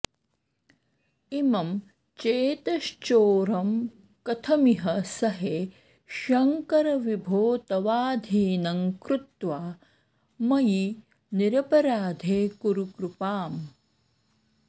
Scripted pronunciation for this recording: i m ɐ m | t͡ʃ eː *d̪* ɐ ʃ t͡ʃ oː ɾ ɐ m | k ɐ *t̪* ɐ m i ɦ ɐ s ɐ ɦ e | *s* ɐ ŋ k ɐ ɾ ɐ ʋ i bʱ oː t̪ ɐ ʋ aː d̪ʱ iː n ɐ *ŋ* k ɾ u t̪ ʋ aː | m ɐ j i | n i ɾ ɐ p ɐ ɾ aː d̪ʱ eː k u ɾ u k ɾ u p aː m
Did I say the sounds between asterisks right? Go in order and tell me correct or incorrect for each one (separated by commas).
incorrect, incorrect, incorrect, correct